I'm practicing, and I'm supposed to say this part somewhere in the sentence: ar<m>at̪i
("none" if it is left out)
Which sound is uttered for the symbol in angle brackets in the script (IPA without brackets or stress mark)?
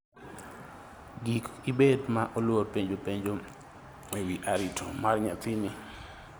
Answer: ɲ